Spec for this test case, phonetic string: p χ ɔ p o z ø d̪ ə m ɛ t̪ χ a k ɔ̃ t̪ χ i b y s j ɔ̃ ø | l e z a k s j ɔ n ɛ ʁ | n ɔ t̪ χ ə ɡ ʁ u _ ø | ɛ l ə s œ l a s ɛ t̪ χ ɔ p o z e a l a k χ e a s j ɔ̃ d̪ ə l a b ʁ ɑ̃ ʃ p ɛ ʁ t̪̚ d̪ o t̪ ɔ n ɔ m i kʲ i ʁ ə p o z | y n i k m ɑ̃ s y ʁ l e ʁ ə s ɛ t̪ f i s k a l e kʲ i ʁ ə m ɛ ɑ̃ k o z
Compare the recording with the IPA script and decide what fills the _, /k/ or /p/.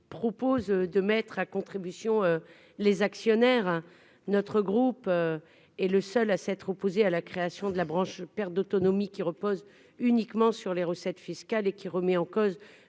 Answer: p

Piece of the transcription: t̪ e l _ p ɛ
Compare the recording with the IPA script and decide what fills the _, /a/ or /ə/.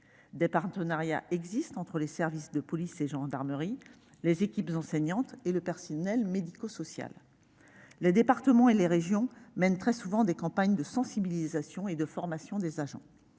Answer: ə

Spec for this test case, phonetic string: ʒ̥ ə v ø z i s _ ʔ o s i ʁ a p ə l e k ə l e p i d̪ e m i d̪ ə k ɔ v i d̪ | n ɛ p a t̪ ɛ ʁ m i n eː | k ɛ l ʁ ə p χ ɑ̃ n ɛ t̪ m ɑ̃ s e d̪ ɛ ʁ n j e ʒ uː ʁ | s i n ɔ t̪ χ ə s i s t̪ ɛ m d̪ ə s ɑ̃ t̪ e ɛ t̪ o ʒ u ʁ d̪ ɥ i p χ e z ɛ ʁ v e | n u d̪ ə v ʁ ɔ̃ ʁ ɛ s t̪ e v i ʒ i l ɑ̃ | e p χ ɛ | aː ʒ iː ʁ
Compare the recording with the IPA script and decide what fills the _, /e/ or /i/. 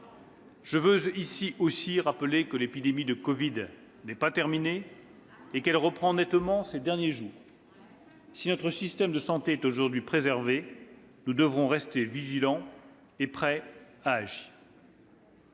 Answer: i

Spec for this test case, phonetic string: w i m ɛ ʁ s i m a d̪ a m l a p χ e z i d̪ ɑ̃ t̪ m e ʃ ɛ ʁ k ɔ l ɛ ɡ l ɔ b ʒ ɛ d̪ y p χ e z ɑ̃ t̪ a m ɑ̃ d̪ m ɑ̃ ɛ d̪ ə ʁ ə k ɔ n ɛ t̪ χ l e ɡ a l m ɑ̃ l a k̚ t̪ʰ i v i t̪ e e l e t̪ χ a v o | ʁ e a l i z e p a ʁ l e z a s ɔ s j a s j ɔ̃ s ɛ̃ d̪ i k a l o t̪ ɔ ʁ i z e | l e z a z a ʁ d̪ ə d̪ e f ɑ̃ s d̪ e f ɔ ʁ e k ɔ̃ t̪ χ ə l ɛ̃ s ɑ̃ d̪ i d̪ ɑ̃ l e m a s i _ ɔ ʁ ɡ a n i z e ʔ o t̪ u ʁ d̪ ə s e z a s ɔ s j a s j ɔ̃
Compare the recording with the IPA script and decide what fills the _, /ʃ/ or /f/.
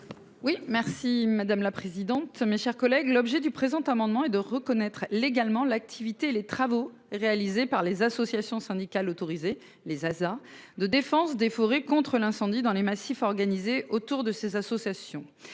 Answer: f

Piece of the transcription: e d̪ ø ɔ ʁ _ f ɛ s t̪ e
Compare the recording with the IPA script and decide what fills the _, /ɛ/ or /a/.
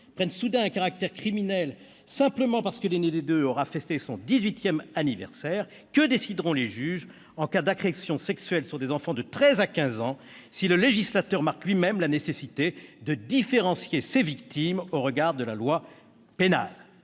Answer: a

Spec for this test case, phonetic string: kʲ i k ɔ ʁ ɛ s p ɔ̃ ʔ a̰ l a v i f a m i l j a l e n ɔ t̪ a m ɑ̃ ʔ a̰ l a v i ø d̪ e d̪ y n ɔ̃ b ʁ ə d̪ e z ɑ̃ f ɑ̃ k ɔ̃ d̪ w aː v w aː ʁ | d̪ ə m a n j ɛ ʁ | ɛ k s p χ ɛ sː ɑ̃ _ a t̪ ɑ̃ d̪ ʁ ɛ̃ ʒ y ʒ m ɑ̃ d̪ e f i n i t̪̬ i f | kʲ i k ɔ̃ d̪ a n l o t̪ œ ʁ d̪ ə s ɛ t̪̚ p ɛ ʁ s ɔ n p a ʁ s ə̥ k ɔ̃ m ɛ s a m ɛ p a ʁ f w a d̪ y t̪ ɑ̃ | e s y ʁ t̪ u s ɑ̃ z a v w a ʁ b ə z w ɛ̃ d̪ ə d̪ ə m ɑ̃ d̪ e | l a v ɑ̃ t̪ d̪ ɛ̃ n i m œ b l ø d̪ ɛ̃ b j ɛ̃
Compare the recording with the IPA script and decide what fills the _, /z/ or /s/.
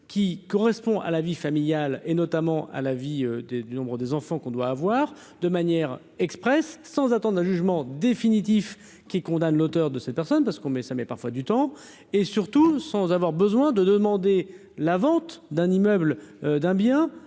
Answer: z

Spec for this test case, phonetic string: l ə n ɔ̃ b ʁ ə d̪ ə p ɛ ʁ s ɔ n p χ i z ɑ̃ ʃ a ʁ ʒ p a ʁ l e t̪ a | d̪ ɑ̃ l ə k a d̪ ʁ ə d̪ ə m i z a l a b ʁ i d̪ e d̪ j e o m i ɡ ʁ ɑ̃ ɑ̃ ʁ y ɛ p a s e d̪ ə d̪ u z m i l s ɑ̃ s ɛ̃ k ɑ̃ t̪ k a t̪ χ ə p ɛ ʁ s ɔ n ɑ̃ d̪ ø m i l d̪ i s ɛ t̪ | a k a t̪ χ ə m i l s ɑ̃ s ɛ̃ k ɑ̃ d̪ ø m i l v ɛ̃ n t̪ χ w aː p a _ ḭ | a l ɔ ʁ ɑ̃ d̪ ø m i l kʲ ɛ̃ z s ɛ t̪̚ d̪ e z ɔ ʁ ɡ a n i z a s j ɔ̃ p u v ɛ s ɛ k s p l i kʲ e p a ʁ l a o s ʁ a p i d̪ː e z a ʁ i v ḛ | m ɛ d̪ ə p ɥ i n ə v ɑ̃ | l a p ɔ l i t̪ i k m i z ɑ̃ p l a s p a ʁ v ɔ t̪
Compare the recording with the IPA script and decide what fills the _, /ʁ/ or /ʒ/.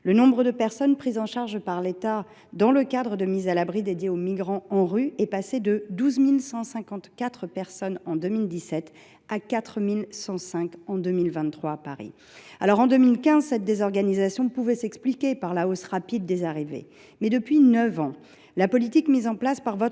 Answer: ʁ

